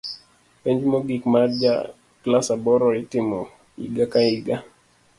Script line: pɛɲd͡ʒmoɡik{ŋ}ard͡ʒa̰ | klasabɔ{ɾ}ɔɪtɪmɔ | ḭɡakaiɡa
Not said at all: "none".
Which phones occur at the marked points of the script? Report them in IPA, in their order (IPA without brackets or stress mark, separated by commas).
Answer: m, ɾ